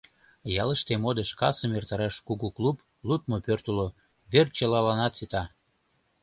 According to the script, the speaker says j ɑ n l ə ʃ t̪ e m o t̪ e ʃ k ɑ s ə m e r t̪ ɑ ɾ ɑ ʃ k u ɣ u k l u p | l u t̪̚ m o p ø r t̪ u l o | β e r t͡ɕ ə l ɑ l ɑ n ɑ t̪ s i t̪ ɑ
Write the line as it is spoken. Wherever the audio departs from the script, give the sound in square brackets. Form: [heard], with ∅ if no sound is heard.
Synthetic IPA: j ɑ [∅] l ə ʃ t̪ e m o [d̪] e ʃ k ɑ s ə m e r t̪ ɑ ɾ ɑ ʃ k u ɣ u k l u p | l u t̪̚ m o p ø r t̪ u l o | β e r t͡ɕ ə l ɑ l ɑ n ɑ t̪ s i t̪ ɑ